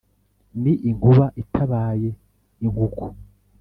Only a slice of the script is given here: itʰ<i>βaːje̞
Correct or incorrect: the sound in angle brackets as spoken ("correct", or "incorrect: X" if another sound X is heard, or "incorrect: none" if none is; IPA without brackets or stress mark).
incorrect: a